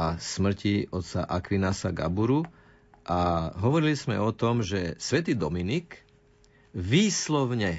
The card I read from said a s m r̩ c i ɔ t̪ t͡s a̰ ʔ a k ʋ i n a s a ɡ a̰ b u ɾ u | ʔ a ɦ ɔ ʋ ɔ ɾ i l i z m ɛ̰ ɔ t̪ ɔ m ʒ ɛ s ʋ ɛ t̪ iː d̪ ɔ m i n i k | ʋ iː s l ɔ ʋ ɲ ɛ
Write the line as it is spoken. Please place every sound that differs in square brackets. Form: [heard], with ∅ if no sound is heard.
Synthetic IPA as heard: a s m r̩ c i ɔ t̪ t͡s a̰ ʔ a k ʋ i n a s a ɡ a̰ b u ɾ u | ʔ a ɦ ɔ ʋ ɔ ɾ i l i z m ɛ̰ ɔ t̪ ɔ m ʒ ɛ s ʋ ɛ t̪ iː d̪ ɔ m i n i k | ʋ iː s l ɔ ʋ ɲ ɛ